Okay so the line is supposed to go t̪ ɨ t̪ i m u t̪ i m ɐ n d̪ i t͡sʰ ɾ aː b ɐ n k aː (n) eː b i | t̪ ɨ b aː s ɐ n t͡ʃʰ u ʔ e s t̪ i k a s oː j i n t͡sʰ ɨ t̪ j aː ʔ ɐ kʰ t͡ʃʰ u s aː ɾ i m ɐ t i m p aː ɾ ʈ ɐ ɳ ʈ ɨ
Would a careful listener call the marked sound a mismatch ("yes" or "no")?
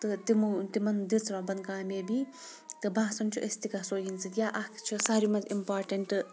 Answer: yes